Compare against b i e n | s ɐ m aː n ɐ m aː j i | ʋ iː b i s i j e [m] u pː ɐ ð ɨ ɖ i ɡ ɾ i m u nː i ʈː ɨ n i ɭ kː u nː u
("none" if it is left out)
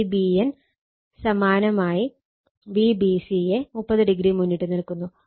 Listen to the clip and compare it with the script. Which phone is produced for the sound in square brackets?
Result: m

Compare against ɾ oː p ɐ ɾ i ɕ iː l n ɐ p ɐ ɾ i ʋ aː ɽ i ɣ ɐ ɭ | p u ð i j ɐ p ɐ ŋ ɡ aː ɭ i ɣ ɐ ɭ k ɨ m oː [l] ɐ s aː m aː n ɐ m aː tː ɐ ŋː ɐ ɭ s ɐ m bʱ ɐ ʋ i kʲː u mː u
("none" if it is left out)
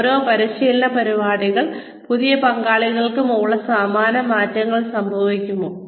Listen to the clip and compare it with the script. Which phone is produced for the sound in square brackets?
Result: ɭ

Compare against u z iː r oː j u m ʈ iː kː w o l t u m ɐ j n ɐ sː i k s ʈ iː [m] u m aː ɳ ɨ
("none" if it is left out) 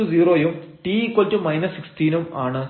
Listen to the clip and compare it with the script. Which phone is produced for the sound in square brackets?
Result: n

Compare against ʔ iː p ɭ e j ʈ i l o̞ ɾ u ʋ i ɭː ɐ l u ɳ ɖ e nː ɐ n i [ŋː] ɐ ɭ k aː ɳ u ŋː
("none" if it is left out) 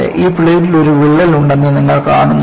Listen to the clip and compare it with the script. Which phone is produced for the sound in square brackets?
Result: ŋː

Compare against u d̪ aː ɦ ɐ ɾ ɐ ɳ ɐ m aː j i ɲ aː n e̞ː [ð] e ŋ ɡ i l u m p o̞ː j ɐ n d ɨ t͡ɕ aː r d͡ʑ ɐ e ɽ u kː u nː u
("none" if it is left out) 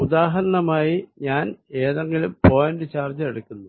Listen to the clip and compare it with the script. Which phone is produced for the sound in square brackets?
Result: ð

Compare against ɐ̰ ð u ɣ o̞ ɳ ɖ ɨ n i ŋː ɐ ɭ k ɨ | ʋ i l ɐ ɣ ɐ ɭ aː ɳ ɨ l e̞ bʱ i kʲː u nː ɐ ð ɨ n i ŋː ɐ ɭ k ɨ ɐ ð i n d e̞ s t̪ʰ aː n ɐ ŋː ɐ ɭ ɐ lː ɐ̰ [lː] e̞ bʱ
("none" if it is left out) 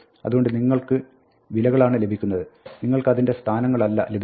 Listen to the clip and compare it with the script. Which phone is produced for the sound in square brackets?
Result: l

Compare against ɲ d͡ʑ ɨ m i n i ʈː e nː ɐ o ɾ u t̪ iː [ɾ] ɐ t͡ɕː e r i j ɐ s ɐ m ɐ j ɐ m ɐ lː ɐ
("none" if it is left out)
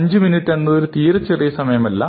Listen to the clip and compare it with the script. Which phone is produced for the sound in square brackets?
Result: ɾ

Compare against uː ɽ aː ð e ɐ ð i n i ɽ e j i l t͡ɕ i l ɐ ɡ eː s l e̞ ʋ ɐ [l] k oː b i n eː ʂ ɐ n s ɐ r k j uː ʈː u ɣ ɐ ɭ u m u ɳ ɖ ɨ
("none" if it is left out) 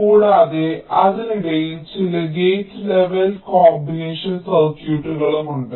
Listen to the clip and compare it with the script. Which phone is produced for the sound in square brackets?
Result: l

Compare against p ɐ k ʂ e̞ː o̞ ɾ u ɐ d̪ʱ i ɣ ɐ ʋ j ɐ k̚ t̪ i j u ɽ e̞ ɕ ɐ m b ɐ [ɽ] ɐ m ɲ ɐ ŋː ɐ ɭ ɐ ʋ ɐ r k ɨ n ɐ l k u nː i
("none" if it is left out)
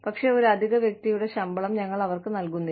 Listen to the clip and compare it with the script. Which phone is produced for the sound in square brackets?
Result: ɭ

